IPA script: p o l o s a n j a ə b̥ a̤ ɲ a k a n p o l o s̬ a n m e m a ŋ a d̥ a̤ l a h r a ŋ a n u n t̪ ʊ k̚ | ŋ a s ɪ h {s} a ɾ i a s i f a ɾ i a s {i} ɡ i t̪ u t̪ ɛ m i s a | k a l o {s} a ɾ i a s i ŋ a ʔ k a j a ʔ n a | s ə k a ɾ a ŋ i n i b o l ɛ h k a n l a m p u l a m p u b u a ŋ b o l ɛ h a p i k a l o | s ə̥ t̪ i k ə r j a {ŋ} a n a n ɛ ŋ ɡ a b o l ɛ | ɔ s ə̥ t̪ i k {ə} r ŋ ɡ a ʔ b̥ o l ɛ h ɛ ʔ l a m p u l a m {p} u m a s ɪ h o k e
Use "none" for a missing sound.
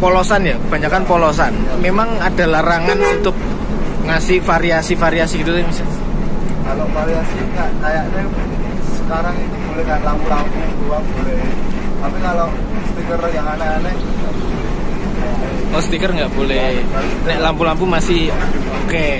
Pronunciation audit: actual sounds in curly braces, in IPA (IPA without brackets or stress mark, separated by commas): f, i, f, ŋ, ə, p